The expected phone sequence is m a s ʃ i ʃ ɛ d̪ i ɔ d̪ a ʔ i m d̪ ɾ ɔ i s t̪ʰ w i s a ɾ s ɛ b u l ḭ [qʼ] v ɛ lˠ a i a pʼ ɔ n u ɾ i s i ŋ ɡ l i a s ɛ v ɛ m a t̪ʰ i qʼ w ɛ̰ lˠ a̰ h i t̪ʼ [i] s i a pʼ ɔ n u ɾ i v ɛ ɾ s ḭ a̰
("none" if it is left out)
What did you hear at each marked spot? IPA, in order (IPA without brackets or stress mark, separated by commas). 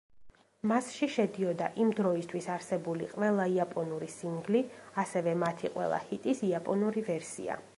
qʼ, i